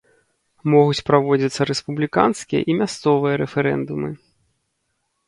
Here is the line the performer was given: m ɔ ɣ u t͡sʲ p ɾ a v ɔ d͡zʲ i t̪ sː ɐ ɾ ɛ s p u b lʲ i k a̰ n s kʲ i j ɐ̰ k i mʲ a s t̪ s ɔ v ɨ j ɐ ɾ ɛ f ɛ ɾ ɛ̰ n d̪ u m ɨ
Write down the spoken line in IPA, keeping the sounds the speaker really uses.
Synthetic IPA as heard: m ɔ ɣ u t͡sʲ p ɾ a v ɔ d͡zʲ i t̪ sː ɐ ɾ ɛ s p u b lʲ i k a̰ n s kʲ i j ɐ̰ ʔ i mʲ a s t̪ s ɔ v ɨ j ɐ ɾ ɛ f ɛ ɾ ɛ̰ n d̪ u m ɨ